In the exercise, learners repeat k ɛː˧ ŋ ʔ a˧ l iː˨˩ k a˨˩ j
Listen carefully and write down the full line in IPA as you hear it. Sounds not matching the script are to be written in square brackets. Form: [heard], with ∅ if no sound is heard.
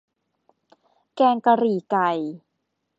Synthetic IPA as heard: k ɛː˧ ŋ [k] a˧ [ɾ] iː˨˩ k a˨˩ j